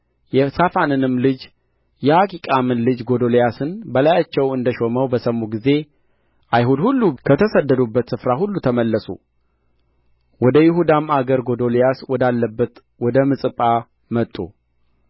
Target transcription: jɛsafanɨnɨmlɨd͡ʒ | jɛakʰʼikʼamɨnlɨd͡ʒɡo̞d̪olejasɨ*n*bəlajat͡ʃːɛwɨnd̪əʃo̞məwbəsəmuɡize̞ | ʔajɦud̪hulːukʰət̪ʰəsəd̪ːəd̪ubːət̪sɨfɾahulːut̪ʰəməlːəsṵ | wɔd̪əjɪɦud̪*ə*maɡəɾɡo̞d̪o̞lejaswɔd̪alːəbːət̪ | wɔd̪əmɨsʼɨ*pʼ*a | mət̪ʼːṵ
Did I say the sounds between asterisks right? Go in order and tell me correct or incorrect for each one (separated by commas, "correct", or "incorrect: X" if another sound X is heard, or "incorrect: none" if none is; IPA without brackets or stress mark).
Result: correct, incorrect: a, correct